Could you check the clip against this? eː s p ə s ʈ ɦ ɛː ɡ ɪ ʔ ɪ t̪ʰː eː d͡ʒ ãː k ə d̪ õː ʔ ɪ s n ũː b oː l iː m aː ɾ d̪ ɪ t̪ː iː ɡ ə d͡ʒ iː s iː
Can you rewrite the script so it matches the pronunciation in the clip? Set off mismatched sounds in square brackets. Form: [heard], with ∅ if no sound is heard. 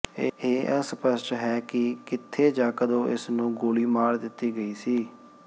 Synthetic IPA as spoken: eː s p ə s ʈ ɦ ɛː [k] ɪ [k] ɪ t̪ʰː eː d͡ʒ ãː k ə d̪ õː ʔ ɪ s n ũː [ɡ] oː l iː m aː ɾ d̪ ɪ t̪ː iː ɡ ə [∅] iː s iː